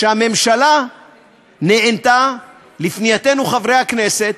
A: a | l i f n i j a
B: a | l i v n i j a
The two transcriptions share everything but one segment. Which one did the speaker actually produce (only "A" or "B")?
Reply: A